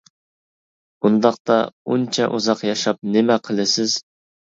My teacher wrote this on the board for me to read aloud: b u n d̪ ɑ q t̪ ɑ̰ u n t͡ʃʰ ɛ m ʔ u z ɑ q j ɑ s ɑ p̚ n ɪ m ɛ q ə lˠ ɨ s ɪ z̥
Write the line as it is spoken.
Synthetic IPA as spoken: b u n d̪ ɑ q t̪ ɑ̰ u n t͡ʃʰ ɛ ʔ u z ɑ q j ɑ ʃ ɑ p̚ n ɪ m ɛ qʰ ə lˠ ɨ s ɪ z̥